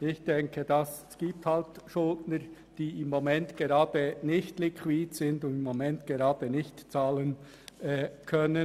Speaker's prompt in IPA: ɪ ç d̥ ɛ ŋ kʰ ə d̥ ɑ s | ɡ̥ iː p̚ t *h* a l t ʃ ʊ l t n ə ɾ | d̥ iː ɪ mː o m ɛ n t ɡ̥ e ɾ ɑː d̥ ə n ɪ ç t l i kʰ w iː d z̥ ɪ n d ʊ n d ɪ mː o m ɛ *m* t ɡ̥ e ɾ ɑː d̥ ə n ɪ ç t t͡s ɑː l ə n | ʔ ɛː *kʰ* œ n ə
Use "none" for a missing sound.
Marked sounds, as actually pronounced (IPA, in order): h, n, kʰ

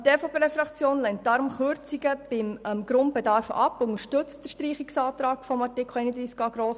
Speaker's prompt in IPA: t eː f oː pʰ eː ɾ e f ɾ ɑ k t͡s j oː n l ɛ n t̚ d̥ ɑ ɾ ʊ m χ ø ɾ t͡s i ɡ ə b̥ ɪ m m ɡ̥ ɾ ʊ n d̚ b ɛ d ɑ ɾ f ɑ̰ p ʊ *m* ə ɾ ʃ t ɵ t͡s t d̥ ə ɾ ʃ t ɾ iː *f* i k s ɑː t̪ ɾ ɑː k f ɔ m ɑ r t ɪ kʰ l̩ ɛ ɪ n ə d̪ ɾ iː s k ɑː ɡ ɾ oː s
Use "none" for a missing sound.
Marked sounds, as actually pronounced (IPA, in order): ŋ, χ

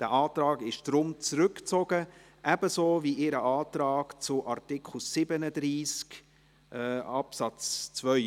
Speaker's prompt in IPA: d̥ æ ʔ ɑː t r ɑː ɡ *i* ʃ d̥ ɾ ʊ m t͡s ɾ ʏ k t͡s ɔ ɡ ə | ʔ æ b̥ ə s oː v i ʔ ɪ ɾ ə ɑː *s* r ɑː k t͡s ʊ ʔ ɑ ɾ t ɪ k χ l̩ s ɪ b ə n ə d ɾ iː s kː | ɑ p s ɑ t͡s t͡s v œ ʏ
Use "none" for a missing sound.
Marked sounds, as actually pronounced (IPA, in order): ɪ, t

